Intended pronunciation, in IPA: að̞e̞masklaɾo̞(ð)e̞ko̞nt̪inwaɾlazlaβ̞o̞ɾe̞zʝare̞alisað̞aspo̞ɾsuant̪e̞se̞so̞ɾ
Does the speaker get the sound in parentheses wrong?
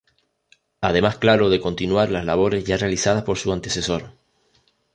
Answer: no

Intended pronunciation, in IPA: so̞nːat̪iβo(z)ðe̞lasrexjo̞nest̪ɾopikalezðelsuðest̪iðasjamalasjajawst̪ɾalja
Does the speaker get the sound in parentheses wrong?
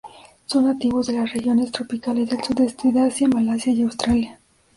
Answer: no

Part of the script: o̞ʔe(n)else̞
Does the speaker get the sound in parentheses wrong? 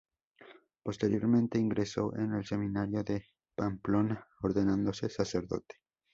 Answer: no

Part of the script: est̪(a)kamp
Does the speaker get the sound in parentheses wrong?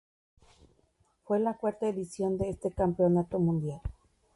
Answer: yes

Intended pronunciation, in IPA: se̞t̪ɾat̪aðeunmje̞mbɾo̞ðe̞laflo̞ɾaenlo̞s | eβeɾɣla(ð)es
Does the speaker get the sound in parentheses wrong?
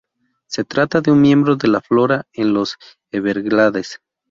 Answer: no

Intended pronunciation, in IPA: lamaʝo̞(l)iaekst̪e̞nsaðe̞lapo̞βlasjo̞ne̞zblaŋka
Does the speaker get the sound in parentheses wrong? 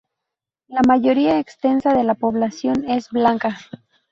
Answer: yes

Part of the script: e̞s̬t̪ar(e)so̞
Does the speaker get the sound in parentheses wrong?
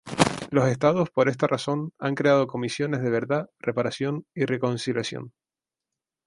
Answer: yes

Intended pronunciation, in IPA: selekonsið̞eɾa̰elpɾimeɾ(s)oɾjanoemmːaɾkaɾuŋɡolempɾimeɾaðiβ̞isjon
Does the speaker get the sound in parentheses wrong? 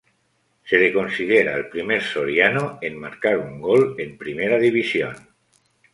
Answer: no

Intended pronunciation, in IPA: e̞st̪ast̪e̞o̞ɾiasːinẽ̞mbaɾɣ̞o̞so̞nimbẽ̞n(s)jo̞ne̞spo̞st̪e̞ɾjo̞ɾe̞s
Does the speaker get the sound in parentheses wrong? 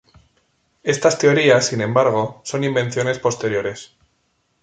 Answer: yes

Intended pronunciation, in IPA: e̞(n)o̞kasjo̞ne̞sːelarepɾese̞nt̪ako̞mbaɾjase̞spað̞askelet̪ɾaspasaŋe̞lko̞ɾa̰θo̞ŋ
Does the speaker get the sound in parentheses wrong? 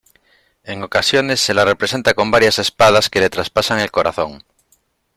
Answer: yes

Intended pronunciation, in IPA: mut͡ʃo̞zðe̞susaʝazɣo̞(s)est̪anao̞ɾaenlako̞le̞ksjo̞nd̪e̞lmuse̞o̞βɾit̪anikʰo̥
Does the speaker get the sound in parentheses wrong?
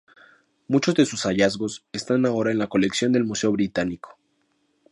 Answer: no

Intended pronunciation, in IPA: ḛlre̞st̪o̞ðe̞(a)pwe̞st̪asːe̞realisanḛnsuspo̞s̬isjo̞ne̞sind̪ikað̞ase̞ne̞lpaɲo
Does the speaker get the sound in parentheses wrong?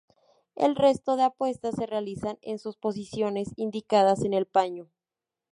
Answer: no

